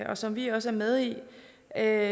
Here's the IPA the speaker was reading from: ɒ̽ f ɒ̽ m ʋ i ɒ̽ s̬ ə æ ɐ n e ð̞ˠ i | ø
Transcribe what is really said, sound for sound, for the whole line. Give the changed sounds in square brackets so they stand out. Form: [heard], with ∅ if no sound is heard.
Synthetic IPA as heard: ɒ̽ [s] ɒ̽ m ʋ i ɒ̽ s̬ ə æ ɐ [m] e ð̞ˠ i | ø